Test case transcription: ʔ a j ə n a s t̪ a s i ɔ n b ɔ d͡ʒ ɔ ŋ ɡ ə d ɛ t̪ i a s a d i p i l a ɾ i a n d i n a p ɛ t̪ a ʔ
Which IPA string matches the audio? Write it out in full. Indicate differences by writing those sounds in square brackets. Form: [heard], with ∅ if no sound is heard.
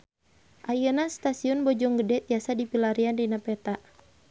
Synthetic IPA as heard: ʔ a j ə n a s t̪ a s i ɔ n b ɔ d͡ʒ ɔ ŋ ɡ ə d ɛ t̪ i a s a d i p i l a ɾ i a n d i n a p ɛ t̪ a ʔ